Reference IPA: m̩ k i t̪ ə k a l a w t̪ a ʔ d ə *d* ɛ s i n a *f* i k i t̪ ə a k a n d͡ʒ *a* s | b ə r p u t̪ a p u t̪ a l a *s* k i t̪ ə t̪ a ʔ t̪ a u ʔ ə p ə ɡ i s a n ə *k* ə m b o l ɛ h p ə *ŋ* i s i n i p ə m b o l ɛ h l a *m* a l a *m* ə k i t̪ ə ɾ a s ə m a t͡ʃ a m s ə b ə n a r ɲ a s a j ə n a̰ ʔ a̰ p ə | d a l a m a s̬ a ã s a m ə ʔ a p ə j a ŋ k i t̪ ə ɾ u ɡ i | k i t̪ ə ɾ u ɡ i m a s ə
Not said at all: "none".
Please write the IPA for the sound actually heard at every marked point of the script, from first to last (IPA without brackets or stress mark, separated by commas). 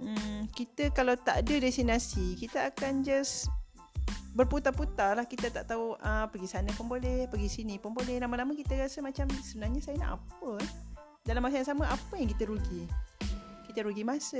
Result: d, s, a, h, p, ɡ, m, m